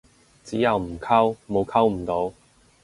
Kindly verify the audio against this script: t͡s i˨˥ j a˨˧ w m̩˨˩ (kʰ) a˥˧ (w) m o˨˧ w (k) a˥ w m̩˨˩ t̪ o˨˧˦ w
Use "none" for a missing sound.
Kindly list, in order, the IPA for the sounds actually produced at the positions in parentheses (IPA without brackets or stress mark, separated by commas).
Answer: kʰ, w, kʰ